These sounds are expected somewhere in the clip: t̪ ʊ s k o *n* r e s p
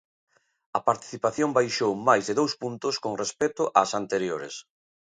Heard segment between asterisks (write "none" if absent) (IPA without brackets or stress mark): ŋ